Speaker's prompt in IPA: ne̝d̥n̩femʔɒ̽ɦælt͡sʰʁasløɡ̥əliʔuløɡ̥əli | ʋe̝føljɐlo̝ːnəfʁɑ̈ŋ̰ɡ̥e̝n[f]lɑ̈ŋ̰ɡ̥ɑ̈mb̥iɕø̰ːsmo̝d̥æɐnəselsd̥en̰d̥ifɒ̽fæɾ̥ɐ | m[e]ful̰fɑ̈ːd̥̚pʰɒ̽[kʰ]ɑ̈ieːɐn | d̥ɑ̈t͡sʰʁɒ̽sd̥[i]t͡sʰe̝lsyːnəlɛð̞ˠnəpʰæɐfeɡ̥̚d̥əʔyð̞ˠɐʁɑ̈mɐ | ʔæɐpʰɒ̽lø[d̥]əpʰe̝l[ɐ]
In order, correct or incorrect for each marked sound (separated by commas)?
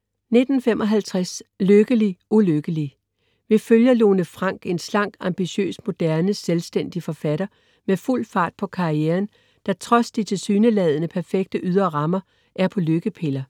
incorrect, correct, correct, correct, incorrect, correct